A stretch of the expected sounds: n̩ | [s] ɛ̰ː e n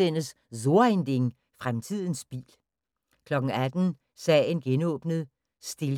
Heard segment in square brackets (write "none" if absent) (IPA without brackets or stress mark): s